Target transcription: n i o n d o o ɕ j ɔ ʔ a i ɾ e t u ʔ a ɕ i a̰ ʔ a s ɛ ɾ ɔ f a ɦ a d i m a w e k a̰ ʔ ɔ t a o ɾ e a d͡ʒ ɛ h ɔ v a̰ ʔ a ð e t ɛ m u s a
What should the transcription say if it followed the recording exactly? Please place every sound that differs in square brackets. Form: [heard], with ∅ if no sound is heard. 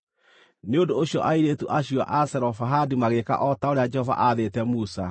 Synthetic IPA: n [e] o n d o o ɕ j ɔ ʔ a i ɾ e t u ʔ a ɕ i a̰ ʔ a s ɛ ɾ ɔ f a ɦ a d i m a [ɣ] e k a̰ ʔ ɔ t a o ɾ e a d͡ʒ ɛ h ɔ v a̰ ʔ a ð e t ɛ m u s a